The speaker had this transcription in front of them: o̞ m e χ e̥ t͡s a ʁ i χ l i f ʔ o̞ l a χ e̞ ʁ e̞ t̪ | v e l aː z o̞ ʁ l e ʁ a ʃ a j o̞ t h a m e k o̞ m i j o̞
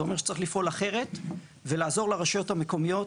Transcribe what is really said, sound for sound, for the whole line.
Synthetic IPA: o̞ m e ʃ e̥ t͡s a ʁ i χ l i f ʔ o̞ l a χ e̞ ʁ e̞ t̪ | v e l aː z o̞ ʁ l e ʁ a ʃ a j o̞ t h a m e k o̞ m i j o̞